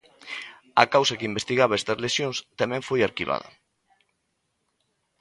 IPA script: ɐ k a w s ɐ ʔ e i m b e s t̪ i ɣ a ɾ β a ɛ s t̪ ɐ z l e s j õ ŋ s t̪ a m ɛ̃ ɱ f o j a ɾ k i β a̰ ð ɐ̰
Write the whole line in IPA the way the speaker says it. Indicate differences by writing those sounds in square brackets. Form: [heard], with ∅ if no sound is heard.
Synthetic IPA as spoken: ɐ k a w s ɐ [k] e i m b e s t̪ i ɣ a [∅] β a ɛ s t̪ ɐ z l e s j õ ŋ s t̪ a m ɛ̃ ɱ f o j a ɾ k i β a̰ ð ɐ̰